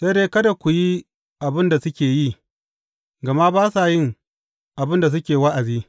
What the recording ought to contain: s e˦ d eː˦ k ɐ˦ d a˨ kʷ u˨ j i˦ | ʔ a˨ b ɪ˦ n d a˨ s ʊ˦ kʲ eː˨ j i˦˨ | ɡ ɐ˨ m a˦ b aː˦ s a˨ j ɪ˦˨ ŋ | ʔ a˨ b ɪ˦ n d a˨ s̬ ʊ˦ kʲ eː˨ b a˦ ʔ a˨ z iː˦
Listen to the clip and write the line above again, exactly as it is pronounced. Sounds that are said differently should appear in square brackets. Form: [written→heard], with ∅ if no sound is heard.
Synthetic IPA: s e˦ d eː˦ k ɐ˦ d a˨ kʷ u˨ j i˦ | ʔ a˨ b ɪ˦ n d a˨ s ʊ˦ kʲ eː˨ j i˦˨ | ɡ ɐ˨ m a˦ b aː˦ s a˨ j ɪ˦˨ ŋ | ʔ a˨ b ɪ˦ n d a˨ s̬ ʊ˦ kʲ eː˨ [b→w] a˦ ʔ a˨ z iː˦

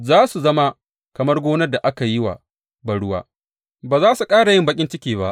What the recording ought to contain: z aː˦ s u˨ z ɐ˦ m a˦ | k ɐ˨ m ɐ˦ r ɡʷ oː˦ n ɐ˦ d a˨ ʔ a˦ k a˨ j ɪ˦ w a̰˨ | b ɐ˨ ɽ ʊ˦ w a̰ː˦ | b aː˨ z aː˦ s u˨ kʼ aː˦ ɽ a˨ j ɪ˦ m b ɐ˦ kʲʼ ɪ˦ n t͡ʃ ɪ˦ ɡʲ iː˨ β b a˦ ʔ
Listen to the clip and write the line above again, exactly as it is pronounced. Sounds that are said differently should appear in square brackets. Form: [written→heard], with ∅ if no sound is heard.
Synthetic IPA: z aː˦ s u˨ z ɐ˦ m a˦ | k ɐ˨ m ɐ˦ r ɡʷ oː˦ n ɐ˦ d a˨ ʔ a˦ k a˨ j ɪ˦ w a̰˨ | b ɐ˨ ɽ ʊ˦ w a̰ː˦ | b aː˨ z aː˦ s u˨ kʼ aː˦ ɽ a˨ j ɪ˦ m b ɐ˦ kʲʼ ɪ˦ n t͡ʃ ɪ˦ [ɡʲ→kʲ] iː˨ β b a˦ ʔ

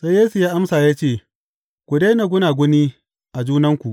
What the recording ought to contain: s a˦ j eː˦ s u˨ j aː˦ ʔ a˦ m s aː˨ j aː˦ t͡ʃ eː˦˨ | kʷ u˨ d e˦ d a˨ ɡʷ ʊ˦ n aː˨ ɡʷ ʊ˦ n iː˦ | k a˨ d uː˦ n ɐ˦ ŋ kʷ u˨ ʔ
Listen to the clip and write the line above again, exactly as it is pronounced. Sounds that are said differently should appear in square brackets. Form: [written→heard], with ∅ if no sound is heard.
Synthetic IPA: s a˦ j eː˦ s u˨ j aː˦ ʔ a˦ m s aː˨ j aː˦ t͡ʃ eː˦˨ | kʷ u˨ d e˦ [d→n] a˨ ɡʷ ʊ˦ n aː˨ ɡʷ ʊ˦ n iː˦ | [k→ʔ] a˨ [d→d͡ʒ] uː˦ n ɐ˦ ŋ kʷ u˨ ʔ

